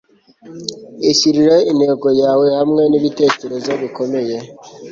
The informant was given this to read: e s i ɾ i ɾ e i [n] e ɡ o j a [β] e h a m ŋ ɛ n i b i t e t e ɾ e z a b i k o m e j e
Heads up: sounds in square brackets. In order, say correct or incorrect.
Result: correct, incorrect: w

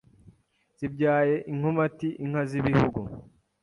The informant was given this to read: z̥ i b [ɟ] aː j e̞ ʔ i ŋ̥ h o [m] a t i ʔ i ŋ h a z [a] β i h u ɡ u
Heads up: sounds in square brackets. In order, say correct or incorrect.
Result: correct, correct, incorrect: i

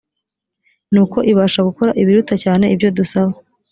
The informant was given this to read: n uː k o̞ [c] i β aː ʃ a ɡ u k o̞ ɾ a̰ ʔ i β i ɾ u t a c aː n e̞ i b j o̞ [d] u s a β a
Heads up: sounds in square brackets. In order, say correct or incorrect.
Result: incorrect: ʔ, correct

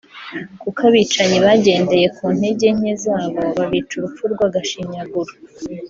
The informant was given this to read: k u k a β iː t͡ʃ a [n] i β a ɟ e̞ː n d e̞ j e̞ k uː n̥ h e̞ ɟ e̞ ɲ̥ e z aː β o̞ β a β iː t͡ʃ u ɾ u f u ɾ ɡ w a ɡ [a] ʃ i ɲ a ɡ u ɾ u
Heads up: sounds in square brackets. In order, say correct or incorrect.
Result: incorrect: ɲ, correct

